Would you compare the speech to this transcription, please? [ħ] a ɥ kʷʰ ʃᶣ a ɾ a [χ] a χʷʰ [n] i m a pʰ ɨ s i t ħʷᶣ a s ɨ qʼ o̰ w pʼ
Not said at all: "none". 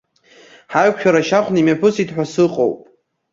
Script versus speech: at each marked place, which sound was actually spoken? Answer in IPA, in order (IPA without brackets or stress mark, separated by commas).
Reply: ħ, ʃ, n